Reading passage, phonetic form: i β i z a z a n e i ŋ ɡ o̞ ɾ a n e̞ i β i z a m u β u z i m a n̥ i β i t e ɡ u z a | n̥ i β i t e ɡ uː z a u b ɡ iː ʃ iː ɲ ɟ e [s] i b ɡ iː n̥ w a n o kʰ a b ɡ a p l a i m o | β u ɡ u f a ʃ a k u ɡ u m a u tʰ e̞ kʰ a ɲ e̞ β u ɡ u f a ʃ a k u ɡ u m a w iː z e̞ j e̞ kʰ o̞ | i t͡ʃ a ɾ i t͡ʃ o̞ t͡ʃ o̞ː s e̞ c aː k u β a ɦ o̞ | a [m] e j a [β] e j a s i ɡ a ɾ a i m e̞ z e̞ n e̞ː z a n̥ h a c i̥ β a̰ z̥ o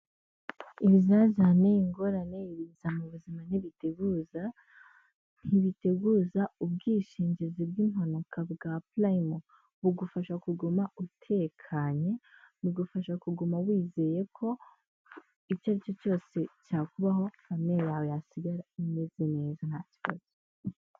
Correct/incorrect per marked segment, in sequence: incorrect, correct, incorrect

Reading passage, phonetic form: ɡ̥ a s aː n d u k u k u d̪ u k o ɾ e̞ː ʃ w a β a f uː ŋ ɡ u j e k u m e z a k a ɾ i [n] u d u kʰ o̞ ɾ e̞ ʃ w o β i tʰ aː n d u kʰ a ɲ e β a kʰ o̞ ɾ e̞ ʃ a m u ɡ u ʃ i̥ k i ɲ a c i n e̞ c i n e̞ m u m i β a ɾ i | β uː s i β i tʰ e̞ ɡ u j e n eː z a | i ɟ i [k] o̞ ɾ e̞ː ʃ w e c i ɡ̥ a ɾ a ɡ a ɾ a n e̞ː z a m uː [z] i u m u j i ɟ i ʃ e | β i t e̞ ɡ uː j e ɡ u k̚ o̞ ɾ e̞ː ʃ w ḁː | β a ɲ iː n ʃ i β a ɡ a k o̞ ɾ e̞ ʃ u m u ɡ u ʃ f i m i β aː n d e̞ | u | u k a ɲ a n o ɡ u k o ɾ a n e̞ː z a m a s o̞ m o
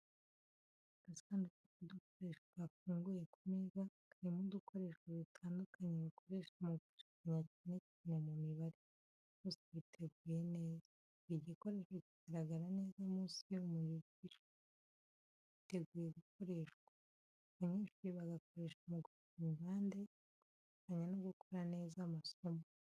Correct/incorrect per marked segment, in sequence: incorrect, correct, incorrect

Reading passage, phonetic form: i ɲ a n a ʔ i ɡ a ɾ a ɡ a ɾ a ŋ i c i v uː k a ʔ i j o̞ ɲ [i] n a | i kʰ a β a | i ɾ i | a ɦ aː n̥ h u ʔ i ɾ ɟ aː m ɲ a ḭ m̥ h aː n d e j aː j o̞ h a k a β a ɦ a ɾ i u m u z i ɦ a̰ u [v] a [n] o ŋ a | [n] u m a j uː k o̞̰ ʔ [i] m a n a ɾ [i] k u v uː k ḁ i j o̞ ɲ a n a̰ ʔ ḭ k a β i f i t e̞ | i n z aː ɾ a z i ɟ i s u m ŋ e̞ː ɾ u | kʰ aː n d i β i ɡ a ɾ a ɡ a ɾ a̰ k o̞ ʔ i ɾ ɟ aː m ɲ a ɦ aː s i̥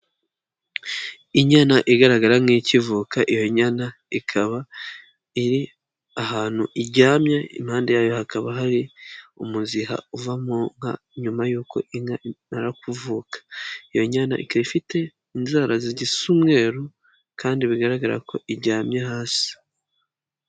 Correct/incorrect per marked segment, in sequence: incorrect, correct, incorrect, incorrect, correct, incorrect

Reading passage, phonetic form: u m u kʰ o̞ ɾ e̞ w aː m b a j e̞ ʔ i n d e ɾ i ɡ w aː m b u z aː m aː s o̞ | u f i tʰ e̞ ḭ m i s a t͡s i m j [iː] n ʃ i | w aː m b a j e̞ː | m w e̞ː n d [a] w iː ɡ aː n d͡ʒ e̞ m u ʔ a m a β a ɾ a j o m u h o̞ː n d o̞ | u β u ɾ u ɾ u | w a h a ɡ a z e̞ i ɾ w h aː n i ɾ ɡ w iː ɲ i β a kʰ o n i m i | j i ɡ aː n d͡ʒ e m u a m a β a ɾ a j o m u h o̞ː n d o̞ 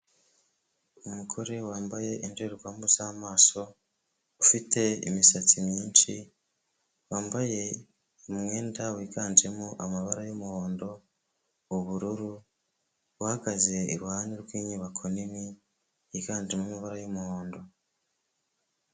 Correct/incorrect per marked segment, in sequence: correct, correct

